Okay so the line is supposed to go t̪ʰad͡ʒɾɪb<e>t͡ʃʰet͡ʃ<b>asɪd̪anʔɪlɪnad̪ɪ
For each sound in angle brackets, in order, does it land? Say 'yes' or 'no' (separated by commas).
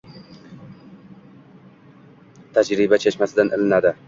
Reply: no, no